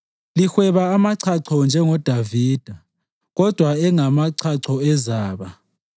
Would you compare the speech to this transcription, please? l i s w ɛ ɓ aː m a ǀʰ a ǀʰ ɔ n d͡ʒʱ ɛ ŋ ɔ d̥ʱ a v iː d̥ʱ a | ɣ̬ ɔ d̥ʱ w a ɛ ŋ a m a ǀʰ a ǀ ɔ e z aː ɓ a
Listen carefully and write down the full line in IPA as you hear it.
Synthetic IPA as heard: l i x w ɛ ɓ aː m a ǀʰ a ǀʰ ɔ n d͡ʒʱ ɛ ŋ ɔ d̥ʱ a v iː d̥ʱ a | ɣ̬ ɔ d̥ʱ w a ɛ ŋ a m a ǀʰ a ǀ ɔ ɛ z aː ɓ a